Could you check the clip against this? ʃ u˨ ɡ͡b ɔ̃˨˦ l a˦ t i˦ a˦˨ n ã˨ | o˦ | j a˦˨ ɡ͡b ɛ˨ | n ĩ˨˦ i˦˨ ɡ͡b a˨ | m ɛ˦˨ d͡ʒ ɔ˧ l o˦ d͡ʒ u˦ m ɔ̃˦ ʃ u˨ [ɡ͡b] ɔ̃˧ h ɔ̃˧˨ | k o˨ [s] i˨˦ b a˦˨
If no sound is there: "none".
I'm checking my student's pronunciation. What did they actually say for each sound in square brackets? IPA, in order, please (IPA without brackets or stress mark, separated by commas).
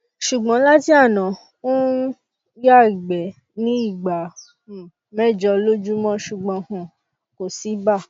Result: ɡ͡b, s